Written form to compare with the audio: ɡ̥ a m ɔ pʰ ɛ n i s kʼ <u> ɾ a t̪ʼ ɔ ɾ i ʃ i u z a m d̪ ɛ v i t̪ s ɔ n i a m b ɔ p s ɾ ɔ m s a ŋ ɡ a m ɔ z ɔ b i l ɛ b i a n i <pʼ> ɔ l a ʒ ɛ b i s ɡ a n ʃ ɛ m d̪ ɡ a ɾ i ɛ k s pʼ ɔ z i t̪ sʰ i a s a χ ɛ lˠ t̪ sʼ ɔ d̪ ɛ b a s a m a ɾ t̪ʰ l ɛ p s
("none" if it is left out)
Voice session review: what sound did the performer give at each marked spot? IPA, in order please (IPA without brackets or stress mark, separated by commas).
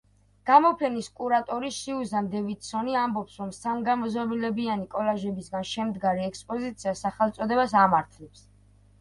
u, kʼ